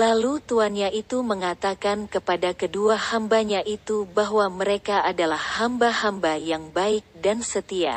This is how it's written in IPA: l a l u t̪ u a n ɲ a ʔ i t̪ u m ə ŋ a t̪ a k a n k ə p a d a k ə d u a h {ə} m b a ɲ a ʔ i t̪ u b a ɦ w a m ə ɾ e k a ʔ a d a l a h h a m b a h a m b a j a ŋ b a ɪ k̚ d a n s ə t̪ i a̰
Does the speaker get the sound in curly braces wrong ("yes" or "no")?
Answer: yes